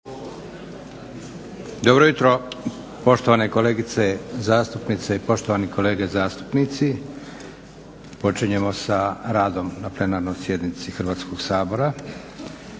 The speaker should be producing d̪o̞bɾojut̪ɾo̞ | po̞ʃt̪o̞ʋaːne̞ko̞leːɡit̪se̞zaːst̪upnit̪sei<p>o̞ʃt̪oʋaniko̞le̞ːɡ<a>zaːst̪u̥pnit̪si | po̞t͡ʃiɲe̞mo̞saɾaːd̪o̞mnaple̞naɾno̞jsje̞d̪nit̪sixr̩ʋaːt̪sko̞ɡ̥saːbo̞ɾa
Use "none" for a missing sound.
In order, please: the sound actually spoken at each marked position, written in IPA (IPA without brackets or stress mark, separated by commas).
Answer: p, e